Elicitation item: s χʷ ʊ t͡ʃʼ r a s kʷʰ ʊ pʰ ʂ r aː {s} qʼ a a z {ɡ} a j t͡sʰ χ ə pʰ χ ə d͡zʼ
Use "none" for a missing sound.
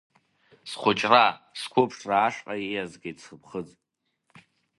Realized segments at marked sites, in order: ʂ, ɡ

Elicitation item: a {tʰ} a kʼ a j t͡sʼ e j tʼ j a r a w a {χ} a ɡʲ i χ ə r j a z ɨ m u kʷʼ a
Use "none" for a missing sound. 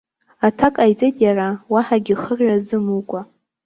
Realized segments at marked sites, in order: tʰ, ħ

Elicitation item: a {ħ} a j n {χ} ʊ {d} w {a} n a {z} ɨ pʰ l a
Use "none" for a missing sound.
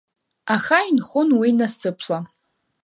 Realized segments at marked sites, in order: χ, χ, n, i, s

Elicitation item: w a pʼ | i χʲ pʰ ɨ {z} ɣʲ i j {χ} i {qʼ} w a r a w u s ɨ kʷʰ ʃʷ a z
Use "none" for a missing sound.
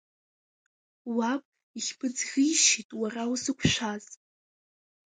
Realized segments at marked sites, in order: d͡z, ʃ, tʼ

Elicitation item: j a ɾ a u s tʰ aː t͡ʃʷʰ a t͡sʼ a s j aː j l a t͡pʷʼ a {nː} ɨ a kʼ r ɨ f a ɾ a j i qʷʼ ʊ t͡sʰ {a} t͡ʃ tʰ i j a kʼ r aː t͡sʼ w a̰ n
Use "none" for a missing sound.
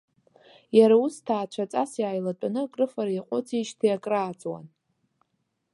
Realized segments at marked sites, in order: n, i

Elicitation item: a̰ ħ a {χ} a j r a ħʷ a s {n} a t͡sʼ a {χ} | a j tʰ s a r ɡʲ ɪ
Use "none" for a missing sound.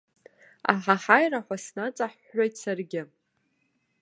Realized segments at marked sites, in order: ħ, n, ħ

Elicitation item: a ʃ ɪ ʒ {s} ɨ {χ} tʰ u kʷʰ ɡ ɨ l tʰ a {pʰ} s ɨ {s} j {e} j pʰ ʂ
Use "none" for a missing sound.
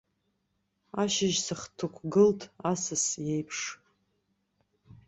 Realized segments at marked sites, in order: s, χ, none, s, e

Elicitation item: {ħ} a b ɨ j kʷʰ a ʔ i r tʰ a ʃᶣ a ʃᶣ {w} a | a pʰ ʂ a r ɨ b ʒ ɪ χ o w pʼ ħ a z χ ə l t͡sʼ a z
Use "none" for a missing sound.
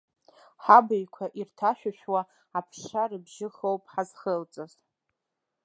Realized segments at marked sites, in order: ħ, w

